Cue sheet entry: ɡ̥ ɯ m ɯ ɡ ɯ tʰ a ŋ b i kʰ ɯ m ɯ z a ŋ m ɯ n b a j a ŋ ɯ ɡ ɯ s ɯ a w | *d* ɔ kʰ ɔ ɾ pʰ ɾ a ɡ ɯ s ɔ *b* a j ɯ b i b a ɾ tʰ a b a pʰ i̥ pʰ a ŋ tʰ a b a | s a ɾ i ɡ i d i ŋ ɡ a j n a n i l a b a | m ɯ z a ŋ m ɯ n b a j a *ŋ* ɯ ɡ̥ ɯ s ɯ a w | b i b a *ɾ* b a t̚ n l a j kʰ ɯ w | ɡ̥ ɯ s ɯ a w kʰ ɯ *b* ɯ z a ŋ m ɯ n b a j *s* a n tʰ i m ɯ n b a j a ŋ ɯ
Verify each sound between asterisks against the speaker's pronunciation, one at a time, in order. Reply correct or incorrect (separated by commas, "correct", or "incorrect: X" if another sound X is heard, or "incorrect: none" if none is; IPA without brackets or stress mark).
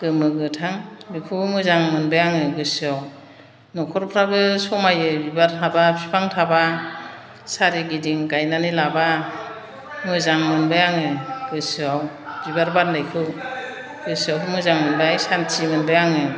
incorrect: n, incorrect: m, correct, correct, incorrect: m, correct